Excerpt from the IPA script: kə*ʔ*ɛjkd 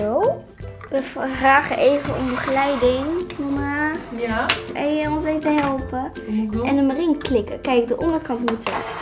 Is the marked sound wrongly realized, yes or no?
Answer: yes